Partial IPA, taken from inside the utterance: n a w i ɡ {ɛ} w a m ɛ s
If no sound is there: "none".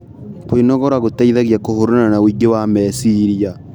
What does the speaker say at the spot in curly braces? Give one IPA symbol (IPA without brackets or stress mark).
e